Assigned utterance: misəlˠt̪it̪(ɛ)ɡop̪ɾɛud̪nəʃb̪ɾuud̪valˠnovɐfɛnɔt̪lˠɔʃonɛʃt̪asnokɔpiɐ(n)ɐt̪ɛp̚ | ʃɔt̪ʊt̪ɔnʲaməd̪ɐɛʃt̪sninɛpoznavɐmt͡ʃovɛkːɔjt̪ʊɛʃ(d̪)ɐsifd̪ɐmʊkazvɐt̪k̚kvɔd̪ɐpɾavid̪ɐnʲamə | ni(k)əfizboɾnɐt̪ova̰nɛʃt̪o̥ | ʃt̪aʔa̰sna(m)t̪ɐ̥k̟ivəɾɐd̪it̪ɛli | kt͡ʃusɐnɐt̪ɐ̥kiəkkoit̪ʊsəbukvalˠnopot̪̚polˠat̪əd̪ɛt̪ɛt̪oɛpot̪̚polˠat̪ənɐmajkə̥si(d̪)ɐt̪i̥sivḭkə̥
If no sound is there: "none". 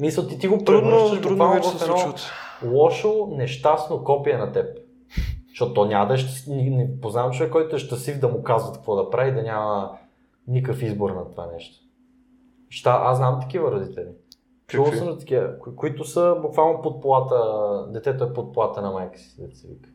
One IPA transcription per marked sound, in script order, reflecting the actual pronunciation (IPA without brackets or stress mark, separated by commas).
i, n, t̪, k, m, d̪